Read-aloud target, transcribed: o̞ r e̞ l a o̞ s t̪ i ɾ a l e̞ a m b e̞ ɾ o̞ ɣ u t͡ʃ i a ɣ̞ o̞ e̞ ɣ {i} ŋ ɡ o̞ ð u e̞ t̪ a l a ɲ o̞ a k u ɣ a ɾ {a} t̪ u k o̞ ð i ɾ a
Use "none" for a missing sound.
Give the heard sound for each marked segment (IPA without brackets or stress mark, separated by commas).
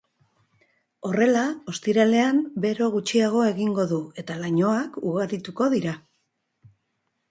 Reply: i, i